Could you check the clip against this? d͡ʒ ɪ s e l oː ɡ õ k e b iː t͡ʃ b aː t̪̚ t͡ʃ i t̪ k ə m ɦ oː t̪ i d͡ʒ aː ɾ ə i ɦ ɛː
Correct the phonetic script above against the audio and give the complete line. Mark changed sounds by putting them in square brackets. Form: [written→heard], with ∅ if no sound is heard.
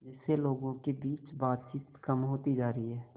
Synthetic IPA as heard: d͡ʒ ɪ s e l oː ɡ õ k e b iː t͡ʃ b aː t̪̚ t͡ʃ [i→iː] t̪ k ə m ɦ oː t̪ i d͡ʒ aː ɾ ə i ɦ ɛː